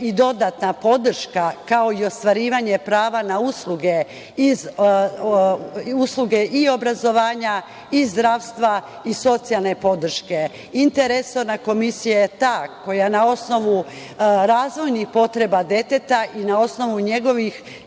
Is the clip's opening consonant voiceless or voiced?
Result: voiced